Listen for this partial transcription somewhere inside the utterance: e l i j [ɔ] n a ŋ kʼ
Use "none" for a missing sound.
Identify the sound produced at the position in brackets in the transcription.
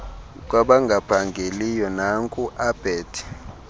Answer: ɔ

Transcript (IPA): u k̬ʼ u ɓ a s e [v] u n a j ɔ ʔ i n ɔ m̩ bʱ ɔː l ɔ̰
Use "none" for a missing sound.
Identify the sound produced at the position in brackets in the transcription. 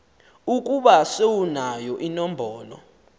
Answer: w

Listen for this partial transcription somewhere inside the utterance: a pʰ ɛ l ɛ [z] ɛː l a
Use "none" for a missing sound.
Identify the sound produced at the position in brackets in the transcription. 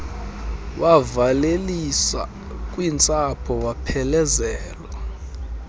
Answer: z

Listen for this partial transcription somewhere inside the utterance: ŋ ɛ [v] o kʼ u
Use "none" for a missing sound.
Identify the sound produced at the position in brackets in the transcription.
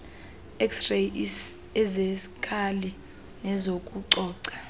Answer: z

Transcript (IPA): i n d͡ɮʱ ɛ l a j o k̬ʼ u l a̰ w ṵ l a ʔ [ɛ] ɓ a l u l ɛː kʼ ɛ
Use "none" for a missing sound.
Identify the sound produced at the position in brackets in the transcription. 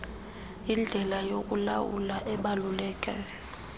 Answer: ɛ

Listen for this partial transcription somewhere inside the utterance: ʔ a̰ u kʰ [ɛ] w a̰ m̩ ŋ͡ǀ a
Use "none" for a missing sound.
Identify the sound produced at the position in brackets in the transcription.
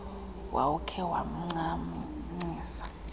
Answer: ɛ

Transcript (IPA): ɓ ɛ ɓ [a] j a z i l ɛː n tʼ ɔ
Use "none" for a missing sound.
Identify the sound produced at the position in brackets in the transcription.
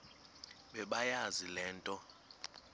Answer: a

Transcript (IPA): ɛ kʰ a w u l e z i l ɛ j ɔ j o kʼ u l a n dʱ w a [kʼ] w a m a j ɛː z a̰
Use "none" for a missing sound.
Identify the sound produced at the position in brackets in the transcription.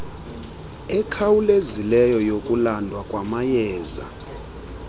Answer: kʼ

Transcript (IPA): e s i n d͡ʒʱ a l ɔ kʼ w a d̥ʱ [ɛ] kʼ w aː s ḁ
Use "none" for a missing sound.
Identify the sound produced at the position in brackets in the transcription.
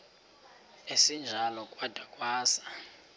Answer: a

